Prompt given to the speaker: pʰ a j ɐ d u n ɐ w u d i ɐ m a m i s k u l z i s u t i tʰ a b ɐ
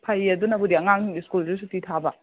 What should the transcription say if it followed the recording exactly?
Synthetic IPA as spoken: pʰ a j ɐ d u n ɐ b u d i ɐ ŋ a ŋ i s k u l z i s u t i tʰ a b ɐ